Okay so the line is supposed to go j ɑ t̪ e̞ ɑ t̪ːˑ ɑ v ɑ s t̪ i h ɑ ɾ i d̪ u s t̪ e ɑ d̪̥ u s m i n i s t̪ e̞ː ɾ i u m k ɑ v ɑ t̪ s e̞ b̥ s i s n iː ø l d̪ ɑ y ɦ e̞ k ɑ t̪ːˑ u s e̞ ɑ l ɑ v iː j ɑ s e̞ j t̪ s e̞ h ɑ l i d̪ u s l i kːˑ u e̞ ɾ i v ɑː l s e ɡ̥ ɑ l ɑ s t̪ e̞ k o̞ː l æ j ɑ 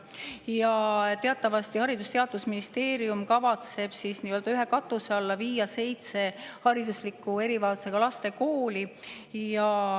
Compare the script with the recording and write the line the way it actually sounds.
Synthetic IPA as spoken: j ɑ t̪ e̞ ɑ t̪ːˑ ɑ v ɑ s t̪ i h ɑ ɾ i d̪ u s t̪ e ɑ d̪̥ u s m i n i s t̪ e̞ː ɾ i u m k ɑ v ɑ t̪ s e̞ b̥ s i s n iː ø l d̪ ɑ y ɦ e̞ k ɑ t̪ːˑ u s e̞ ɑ lː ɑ v iː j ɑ s e̞ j t̪ s e̞ h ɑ ɾ i d̪ u s l i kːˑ u e̞ ɾ i v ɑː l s e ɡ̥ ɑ l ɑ s t̪ e̞ k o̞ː l i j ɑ